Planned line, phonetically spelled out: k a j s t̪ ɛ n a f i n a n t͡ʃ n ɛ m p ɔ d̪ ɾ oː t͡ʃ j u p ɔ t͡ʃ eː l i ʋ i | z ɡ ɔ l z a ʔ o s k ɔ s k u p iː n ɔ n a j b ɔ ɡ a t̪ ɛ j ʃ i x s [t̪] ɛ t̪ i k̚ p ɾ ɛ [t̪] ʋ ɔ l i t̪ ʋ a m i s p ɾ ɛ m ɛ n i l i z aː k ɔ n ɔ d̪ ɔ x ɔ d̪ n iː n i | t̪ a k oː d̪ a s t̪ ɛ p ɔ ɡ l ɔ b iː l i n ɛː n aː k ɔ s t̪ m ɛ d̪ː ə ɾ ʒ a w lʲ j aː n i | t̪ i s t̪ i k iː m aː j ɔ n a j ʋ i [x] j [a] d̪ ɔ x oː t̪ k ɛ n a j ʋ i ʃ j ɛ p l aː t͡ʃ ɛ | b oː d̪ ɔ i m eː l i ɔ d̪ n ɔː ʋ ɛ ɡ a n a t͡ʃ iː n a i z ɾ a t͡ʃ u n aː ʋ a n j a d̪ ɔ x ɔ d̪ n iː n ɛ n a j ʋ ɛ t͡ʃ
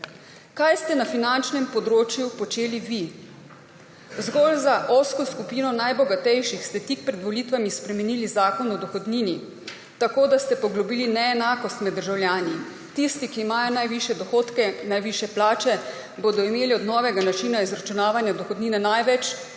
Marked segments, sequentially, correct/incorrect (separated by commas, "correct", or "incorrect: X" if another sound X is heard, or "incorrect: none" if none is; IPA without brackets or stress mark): correct, incorrect: d̪, incorrect: ʃ, incorrect: ɛ